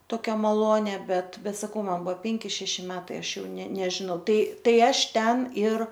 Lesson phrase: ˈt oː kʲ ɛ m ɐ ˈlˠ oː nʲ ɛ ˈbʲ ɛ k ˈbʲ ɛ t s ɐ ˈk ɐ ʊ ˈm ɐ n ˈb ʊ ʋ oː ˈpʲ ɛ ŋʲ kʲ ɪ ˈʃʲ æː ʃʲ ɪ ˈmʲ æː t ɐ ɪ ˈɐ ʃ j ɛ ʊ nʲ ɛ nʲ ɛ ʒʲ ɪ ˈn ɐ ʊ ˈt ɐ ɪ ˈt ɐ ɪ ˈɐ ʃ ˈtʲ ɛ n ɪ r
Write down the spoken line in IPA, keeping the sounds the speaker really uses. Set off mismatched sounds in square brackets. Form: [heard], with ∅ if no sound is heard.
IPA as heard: ˈt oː kʲ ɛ m ɐ ˈlˠ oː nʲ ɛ ˈbʲ ɛ [t] ˈbʲ ɛ t s ɐ ˈk ɐ ʊ ˈm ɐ n ˈb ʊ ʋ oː ˈpʲ ɛ ŋʲ kʲ ɪ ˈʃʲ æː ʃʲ ɪ ˈmʲ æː t ɐ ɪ ˈɐ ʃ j ɛ ʊ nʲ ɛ nʲ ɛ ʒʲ ɪ ˈn ɐ ʊ ˈt ɐ ɪ ˈt ɐ ɪ ˈɐ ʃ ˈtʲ ɛ n ɪ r